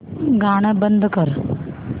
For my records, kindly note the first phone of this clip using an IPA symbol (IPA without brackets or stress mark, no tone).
ɡ